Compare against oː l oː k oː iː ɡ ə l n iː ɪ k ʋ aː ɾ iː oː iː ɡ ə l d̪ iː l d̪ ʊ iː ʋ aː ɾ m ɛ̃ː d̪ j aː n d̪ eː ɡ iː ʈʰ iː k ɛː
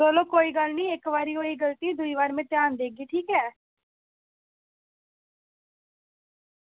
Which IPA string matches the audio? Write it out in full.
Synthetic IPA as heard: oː l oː k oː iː ɡ ə l n iː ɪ k ʋ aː ɾ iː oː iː ɡ ə l t̪ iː d̪ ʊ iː ʋ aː ɾ m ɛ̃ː t̪ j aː n d̪ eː ɡ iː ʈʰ iː k ɛː